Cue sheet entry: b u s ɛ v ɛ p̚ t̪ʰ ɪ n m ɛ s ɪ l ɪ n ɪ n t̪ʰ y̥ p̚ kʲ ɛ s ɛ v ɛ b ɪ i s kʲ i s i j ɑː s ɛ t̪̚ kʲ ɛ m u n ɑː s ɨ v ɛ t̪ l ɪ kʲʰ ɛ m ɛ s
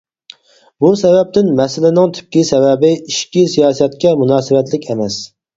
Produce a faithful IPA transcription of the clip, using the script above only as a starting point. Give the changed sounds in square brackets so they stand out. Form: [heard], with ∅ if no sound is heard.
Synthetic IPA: b u s ɛ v ɛ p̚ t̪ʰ ɪ n m ɛ s ɪ l ɪ n ɪ [ŋ] t̪ʰ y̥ p̚ kʲ [i] s ɛ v ɛ b ɪ i [ʃ] kʲ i s i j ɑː s ɛ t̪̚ kʲ ɛ m u n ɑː s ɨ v ɛ t̪ l ɪ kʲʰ ɛ m ɛ s